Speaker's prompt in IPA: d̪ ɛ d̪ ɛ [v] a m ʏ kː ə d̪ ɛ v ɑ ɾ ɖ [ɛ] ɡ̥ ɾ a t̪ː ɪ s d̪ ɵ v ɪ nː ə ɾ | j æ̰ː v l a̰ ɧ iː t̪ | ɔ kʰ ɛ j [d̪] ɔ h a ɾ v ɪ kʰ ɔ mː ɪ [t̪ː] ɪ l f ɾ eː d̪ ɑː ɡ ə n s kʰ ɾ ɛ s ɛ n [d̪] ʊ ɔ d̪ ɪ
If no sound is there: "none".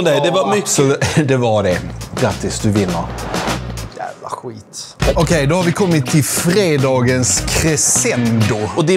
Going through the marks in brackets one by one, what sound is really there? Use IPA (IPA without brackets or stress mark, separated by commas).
v, ɛ, d̪, t̪ʰː, d̪